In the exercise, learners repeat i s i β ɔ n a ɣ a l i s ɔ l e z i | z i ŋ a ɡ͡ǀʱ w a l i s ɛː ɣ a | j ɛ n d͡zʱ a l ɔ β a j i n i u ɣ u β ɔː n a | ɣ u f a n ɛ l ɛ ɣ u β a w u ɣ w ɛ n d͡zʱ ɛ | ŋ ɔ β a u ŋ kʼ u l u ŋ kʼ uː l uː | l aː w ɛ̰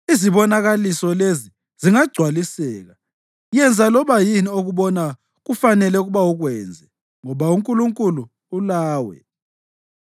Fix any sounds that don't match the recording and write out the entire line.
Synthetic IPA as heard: i z i β ɔ n a ɣ a l i s ɔ l e z i | z i ŋ a ɡ͡ǀʱ w a l i s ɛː ɣ a | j ɛ n d͡zʱ a l ɔ β a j i n i o ɣ u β ɔ n a | ɣ u f a n ɛ l ɛ ɣ u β a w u ɣ w ɛ n d͡zʱ ɛ | ŋ ɔ β a u ŋ kʼ u l u ŋ kʼ u l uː | l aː w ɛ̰